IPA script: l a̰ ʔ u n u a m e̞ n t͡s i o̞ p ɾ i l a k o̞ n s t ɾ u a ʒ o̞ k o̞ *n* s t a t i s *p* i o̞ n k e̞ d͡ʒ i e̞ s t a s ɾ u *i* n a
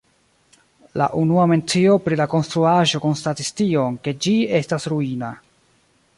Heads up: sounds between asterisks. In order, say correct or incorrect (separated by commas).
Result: correct, incorrect, correct